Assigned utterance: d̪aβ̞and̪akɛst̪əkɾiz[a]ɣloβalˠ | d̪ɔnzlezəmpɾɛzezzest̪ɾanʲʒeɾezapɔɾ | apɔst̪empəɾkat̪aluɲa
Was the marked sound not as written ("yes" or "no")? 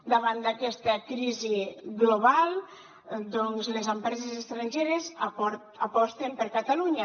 yes